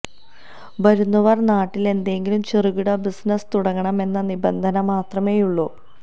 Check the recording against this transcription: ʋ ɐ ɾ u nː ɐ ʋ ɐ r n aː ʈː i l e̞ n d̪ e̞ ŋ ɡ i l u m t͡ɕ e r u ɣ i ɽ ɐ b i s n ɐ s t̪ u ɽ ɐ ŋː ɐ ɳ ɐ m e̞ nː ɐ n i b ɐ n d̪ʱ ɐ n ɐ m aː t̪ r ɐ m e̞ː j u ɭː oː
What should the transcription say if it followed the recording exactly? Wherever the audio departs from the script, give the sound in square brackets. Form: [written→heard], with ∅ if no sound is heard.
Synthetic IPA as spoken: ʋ ɐ ɾ u nː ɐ ʋ ɐ r n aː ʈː i l e̞ n d̪ e̞ ŋ ɡ i l u m t͡ɕ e r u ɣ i ɽ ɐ b i s n ɐ s t̪ u ɽ ɐ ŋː ɐ ɳ ɐ m e̞ nː ɐ n i b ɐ n d̪ʱ ɐ n ɐ m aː t̪ r ɐ m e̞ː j u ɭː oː